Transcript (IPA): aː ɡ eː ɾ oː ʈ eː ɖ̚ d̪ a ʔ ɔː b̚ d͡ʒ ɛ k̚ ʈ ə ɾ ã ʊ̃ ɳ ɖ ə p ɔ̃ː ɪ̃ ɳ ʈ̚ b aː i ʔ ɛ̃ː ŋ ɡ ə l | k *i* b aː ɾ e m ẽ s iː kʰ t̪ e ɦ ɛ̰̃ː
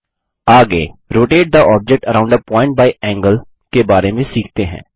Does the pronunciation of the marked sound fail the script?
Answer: yes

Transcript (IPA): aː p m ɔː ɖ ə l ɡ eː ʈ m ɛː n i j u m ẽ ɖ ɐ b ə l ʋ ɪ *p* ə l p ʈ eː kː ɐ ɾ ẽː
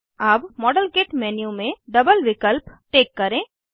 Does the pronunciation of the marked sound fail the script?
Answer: yes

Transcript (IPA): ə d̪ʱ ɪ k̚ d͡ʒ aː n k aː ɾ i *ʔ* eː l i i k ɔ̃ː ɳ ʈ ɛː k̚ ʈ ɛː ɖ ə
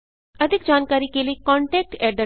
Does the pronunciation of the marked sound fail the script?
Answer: yes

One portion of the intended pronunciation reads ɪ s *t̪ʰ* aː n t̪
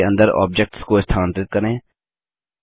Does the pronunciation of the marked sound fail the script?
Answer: no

